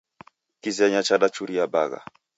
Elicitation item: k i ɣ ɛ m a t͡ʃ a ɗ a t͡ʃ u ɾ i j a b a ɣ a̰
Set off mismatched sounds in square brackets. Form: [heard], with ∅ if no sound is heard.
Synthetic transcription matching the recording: k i [z] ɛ [ɲ] a t͡ʃ a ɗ a t͡ʃ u ɾ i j a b a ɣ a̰

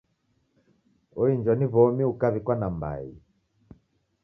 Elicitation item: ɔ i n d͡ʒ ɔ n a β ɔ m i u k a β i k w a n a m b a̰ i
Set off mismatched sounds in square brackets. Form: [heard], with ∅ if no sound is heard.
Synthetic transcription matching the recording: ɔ i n d͡ʒ ɔ n [i] β ɔ m i u k a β i k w a n a m b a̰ i

